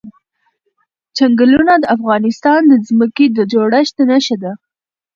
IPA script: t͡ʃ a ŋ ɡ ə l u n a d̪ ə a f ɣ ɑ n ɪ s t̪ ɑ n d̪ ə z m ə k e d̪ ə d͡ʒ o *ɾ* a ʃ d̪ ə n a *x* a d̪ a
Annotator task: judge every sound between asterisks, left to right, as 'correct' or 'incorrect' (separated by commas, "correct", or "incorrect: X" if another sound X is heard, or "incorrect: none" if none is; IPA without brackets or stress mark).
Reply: incorrect: ɽ, incorrect: ʃ